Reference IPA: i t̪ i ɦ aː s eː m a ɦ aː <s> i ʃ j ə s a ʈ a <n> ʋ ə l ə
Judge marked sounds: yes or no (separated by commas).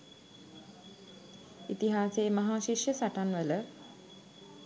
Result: no, yes